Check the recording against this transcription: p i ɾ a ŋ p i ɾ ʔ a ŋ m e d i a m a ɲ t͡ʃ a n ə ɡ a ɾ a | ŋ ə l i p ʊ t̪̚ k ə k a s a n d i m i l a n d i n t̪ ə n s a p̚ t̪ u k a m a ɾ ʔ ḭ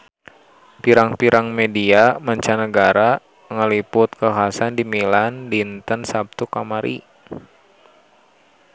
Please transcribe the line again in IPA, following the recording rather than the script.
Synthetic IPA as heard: p i ɾ a ŋ p i ɾ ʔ a ŋ m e d i a m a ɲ t͡ʃ a n ə ɡ a ɾ a | ŋ ə l i p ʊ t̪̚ k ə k a s a n d i m i l a n d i n t̪ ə n s a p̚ t̪ u k a m a ɾ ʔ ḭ